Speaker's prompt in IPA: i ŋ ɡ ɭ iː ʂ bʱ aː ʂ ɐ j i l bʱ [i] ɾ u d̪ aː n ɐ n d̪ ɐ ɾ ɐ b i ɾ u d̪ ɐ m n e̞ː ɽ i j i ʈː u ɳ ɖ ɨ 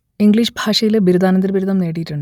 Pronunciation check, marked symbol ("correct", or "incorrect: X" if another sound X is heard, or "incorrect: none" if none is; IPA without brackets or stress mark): correct